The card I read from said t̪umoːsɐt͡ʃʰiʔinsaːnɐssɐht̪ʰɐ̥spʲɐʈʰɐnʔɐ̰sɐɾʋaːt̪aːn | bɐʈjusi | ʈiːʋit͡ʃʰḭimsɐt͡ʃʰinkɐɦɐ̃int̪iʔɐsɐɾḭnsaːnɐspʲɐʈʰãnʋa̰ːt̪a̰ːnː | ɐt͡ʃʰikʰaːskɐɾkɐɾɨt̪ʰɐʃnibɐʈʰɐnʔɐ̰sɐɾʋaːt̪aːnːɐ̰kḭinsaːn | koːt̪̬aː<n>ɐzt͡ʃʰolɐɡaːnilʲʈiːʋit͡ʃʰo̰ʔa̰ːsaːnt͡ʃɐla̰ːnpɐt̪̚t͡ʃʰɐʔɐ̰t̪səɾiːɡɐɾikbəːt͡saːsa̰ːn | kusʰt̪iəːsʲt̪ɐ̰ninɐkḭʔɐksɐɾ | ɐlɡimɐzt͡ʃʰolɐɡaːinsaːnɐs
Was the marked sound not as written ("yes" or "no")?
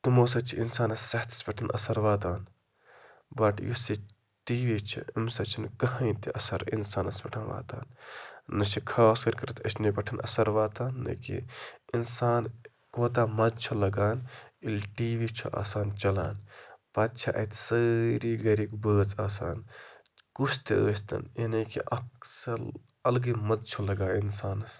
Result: yes